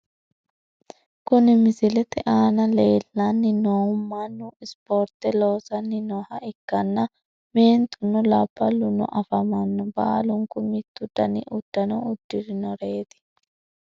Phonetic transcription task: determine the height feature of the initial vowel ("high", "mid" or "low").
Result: high